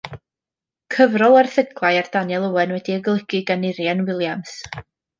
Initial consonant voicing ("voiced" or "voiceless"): voiceless